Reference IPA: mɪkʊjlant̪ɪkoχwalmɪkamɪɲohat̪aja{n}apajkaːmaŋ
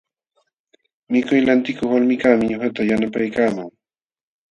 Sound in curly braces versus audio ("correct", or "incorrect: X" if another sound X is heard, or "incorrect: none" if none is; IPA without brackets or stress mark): correct